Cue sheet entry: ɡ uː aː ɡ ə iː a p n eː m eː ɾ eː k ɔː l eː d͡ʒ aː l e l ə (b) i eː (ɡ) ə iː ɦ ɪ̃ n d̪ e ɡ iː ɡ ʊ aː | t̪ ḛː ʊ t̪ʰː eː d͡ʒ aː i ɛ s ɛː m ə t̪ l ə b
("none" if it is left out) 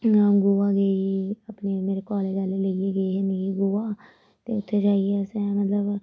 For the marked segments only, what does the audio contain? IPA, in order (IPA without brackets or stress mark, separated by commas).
none, ɡ